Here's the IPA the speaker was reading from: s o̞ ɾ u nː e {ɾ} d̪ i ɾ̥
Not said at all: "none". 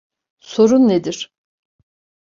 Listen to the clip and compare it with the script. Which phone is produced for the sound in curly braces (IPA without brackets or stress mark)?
none